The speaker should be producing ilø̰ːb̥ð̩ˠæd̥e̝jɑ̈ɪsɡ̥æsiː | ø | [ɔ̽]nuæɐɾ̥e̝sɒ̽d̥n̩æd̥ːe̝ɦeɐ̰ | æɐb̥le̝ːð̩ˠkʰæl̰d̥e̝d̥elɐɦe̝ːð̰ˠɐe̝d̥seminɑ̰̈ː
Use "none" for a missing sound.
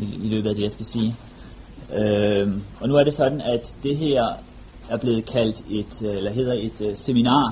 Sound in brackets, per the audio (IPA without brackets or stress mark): ɒ̽